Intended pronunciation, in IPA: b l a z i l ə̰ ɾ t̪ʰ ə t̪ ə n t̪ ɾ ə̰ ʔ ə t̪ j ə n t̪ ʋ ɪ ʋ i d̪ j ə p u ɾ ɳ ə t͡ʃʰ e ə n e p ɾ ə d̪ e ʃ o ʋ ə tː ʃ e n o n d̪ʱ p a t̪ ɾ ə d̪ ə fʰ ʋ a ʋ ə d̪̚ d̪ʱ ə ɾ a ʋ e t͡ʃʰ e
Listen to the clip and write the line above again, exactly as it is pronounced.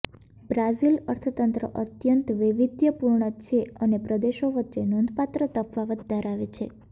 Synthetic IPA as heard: b ɾ a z i l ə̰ ɾ t̪ʰ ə t̪ ə n t̪ ɾ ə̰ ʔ ə t̪ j ə n t̪ ʋ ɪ ʋ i d̪ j ə p u ɾ ɳ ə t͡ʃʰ e ə n e p ɾ ə d̪ e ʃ o ʋ ə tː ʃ e n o n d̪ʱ p a t̪ ɾ ə t̪ ə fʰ ʋ a ʋ ə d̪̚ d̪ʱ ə ɾ a ʋ e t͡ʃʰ e